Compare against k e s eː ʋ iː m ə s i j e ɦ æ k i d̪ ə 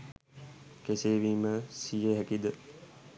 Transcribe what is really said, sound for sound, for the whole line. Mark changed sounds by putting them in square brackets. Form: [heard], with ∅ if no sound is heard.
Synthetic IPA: k e s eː ʋ iː m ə s i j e ɦ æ k i d̪ ə